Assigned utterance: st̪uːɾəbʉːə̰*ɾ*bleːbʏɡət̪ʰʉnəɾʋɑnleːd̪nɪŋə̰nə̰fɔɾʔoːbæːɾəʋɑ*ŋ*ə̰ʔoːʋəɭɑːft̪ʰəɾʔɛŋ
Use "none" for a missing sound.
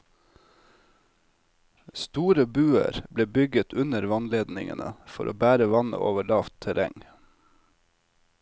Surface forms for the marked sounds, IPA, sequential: ɾ, n

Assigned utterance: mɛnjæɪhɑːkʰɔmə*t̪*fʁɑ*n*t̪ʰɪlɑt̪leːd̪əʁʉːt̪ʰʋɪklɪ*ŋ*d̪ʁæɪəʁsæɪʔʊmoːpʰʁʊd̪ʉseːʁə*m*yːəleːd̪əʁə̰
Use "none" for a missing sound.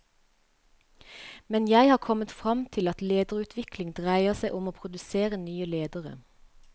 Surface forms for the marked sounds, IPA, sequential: t̪, m, ŋ, n

